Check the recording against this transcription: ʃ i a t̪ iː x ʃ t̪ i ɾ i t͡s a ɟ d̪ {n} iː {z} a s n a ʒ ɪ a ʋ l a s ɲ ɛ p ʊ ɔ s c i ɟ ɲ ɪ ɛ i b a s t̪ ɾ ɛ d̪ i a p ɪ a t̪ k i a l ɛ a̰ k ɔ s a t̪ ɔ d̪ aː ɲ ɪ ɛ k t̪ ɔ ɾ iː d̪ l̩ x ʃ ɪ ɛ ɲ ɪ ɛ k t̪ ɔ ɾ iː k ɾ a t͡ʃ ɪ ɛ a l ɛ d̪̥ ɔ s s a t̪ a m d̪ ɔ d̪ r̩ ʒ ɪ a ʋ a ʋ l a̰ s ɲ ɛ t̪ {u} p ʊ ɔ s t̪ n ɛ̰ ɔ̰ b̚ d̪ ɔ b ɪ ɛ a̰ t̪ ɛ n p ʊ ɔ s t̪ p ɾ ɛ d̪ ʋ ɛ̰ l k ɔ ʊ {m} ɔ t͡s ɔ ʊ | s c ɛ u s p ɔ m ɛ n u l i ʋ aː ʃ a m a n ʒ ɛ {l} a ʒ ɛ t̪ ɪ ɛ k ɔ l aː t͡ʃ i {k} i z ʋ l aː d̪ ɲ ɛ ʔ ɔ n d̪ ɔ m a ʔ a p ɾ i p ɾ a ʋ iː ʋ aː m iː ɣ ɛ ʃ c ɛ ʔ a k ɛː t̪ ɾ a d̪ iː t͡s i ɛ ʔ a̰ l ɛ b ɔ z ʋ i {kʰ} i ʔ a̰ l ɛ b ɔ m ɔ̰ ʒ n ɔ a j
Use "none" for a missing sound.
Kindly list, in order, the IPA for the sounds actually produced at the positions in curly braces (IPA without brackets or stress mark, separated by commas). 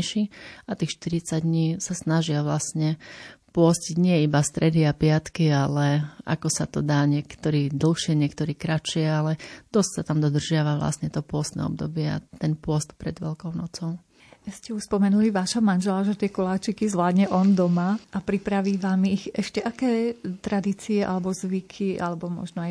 ɲ, s, ɔ, n, l, k, kʰ